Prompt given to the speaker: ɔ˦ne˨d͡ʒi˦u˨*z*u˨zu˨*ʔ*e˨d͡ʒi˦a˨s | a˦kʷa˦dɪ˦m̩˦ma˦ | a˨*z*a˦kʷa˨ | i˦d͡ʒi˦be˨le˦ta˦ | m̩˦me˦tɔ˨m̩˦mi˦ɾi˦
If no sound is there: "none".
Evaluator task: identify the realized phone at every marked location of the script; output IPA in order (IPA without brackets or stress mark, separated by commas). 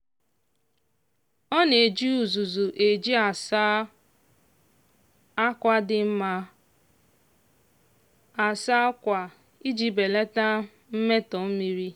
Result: z, ʔ, s